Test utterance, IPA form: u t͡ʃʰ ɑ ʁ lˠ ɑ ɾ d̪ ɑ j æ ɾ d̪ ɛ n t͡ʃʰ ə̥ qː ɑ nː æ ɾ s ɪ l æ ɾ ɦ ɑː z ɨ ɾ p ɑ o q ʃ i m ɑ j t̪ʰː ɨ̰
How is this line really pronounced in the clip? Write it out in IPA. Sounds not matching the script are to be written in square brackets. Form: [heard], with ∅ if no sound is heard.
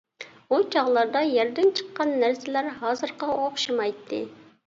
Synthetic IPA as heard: u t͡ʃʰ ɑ ʁ lˠ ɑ ɾ d̪ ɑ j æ ɾ d̪ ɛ n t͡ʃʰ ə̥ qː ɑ nː æ ɾ s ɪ l æ ɾ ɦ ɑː z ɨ ɾ [q] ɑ o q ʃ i m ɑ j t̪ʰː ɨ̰